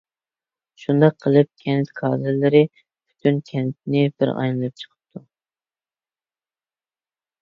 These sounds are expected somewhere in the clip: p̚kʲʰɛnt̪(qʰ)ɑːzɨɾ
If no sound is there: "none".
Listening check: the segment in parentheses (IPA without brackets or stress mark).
kʰ